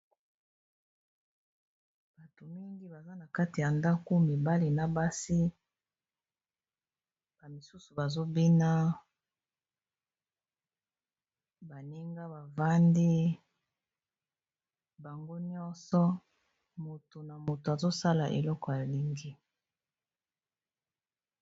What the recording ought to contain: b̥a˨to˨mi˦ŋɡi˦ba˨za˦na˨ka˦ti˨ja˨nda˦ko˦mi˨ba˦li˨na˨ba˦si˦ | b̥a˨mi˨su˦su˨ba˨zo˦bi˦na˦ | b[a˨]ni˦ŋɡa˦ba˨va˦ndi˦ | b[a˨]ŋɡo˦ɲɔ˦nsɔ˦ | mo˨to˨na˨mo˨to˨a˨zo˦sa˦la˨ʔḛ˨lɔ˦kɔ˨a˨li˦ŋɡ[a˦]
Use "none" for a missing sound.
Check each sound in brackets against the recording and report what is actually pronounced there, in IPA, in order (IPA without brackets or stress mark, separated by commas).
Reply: a˨, a˨, i˦